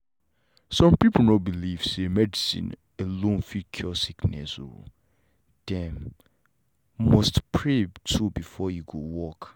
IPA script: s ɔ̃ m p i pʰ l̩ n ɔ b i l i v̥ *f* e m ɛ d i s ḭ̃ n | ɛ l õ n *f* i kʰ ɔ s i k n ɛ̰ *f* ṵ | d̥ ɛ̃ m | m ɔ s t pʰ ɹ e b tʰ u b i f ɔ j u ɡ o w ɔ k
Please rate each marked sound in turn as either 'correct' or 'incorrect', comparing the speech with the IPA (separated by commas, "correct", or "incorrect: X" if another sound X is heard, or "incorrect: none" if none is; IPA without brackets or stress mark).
incorrect: s, correct, incorrect: s